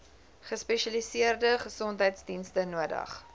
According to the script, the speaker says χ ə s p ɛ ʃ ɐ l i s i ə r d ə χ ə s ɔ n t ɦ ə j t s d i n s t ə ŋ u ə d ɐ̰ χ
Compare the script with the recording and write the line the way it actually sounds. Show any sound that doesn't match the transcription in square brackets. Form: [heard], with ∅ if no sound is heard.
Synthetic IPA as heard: χ ə s p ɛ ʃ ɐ l i s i ə r d ə χ ə s ɔ n t ɦ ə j t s d i n s t ə [n] u ə d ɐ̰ χ